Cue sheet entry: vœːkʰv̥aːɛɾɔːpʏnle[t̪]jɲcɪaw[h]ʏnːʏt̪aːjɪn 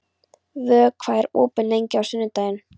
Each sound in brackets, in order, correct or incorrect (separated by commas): incorrect, incorrect